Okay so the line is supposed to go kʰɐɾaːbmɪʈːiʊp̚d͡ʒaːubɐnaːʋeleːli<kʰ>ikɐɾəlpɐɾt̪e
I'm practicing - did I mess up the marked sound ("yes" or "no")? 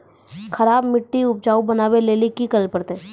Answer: yes